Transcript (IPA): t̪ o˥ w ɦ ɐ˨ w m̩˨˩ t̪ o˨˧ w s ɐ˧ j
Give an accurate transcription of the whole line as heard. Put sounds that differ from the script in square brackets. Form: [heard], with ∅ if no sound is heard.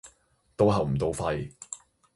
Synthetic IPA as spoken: t̪ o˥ w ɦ ɐ˨ w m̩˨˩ t̪ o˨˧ w [f] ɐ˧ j